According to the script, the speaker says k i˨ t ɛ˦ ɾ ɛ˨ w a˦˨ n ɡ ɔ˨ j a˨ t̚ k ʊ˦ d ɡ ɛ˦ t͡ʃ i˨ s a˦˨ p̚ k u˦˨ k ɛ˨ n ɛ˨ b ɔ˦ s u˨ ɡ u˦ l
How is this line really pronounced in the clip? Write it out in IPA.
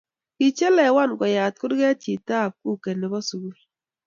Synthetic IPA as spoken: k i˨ t͡ʃ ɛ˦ l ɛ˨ w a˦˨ n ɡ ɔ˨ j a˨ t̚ k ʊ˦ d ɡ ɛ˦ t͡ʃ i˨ t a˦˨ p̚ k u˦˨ k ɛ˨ n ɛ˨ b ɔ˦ s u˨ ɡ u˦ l